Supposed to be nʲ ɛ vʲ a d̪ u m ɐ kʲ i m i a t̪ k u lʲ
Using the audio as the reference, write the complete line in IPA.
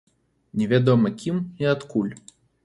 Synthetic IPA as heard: nʲ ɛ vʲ a d̪ ɔ m ɐ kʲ i m i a t̪ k u lʲ